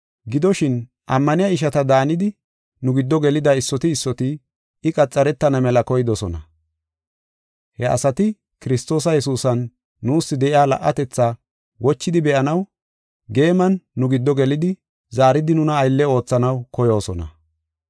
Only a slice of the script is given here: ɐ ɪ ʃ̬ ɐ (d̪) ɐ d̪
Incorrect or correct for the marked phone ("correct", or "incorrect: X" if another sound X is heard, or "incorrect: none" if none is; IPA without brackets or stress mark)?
incorrect: t̪